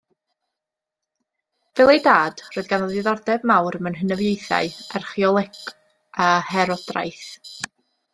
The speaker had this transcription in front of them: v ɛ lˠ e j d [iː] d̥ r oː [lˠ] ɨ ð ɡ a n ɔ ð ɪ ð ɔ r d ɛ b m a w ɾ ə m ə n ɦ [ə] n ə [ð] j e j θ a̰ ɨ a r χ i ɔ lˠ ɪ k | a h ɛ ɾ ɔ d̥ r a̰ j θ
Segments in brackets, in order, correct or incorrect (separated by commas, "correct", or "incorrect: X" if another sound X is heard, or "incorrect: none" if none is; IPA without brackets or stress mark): incorrect: aː, incorrect: none, correct, incorrect: v